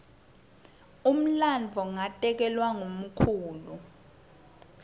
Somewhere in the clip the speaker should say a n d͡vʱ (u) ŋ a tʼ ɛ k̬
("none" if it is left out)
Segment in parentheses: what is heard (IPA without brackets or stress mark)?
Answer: ɔ